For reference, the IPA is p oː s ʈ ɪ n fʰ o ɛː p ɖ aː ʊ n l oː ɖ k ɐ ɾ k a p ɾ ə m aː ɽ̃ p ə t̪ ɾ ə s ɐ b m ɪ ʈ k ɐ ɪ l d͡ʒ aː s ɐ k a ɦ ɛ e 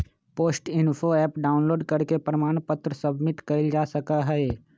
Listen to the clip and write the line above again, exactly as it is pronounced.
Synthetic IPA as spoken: p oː s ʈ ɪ n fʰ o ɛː p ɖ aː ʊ n l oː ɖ k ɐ ɾ k e p ɾ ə m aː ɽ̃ p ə t̪ ɾ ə s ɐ b m ɪ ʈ k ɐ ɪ l d͡ʒ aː s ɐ k a ɦ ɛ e